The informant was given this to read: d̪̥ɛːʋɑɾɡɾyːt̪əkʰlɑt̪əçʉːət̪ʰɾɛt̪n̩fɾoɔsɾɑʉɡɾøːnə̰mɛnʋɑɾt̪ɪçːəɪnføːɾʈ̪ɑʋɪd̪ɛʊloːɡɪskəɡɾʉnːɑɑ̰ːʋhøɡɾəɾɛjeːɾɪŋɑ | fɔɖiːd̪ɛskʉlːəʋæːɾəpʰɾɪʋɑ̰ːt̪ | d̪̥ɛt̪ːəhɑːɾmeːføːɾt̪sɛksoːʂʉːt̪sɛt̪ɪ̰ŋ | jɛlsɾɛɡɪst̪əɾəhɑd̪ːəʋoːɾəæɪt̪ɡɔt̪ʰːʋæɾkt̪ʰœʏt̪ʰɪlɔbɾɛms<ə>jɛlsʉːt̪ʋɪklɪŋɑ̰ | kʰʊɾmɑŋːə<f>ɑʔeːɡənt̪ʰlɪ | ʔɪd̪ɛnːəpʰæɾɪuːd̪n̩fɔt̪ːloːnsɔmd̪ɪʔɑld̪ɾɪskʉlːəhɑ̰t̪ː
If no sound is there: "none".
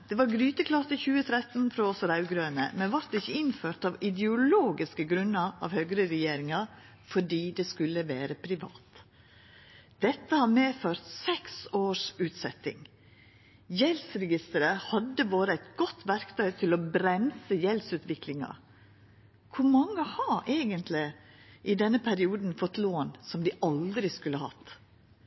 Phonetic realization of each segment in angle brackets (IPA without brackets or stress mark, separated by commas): ə, h